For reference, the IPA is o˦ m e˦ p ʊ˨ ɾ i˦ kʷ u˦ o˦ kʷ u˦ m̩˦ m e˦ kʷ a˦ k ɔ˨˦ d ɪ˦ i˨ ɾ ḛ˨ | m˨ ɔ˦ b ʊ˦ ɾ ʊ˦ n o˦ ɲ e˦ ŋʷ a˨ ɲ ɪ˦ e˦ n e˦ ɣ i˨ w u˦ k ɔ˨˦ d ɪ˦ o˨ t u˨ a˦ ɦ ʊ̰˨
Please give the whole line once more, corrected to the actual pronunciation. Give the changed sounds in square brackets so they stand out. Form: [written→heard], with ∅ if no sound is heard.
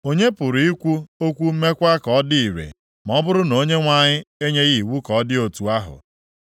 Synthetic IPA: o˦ [m→ɲ] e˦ p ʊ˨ ɾ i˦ kʷ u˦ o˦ kʷ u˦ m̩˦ m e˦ kʷ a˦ k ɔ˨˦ d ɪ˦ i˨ ɾ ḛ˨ | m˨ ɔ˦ b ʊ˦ ɾ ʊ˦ n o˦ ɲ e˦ ŋʷ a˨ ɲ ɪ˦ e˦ [n→ɲ] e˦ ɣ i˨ w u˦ k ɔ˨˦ d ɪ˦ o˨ t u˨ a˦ ɦ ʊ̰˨